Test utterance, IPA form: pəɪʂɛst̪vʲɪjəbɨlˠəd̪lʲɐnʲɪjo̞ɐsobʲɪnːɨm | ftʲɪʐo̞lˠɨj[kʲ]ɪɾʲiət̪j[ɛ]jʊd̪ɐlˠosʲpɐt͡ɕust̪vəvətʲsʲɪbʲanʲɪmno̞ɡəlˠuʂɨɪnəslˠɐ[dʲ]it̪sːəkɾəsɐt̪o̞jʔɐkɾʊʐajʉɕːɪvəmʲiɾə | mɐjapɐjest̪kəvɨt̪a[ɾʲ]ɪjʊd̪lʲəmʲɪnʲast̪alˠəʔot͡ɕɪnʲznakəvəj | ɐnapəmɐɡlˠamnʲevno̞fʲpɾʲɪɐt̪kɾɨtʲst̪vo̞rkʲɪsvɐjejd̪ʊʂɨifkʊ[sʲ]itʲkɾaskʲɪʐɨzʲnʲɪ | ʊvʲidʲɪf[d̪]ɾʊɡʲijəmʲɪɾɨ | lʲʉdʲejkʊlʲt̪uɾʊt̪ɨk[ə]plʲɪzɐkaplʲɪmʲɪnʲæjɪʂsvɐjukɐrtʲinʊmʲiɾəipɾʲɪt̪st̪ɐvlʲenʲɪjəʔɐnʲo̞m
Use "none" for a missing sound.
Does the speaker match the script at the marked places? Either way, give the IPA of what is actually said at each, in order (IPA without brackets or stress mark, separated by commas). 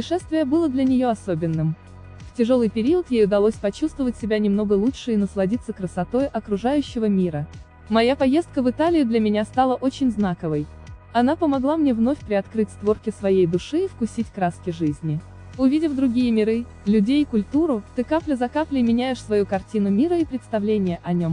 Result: pʲ, e, dʲ, lʲ, sʲ, d̪, a